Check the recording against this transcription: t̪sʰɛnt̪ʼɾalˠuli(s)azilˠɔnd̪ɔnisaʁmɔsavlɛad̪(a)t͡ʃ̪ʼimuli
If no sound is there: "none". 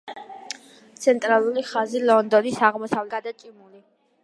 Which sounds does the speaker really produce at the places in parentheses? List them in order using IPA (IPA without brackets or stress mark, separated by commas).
χ, a